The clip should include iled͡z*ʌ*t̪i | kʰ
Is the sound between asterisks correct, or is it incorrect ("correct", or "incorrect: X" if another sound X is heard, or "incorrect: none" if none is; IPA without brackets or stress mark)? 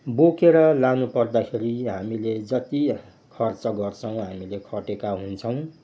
correct